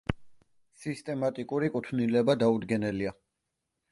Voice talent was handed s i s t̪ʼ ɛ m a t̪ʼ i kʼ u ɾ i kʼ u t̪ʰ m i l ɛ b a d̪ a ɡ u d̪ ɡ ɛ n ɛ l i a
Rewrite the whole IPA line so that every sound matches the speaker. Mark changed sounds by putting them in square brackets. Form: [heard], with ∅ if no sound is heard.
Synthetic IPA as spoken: s i s t̪ʼ ɛ m a t̪ʼ i kʼ u ɾ i kʼ u t̪ʰ [n] i l ɛ b a d̪ a [∅] u d̪ ɡ ɛ n ɛ l i a